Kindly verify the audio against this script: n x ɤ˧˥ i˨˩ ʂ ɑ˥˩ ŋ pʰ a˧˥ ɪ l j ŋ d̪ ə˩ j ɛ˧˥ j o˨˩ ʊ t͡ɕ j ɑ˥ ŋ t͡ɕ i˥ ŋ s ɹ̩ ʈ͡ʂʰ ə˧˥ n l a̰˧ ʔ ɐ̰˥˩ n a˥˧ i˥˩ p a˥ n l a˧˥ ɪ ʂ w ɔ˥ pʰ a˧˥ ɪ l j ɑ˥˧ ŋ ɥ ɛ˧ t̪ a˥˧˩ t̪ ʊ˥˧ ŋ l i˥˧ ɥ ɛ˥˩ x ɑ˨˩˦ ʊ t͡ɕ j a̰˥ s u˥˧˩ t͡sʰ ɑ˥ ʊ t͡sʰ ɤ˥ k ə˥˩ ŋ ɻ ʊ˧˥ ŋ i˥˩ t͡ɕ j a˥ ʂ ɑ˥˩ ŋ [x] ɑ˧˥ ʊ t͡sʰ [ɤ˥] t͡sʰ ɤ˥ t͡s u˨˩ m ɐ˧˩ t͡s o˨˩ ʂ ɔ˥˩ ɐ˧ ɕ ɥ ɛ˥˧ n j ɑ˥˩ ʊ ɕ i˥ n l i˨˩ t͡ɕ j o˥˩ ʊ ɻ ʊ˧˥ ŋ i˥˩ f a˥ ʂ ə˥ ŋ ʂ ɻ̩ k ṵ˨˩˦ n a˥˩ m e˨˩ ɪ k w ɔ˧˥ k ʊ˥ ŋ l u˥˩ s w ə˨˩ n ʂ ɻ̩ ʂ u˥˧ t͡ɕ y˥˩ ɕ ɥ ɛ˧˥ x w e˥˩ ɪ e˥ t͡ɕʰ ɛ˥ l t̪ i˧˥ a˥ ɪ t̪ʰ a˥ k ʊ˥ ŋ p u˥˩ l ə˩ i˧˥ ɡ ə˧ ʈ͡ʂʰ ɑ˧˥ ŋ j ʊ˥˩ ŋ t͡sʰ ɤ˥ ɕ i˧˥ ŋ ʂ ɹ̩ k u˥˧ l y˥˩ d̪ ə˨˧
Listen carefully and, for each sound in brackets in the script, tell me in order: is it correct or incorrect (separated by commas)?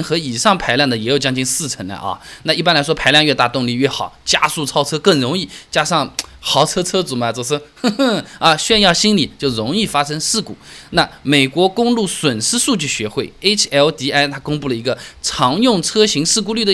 correct, correct